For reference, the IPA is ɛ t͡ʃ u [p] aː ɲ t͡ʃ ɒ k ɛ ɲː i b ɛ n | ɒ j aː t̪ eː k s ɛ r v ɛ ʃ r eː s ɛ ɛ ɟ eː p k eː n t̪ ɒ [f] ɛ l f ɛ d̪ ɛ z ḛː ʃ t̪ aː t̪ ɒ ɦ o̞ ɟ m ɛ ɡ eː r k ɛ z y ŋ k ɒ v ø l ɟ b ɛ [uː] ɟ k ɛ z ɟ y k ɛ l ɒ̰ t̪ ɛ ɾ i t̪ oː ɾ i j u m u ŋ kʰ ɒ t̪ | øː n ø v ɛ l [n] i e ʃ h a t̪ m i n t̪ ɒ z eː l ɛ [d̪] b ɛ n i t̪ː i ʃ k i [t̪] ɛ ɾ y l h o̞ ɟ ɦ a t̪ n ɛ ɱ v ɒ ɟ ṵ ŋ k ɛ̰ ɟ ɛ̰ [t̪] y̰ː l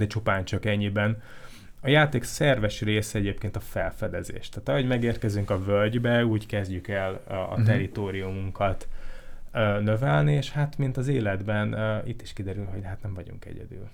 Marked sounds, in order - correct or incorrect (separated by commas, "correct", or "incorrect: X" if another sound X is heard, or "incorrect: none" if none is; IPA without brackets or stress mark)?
correct, correct, correct, correct, correct, incorrect: d̪, incorrect: d̪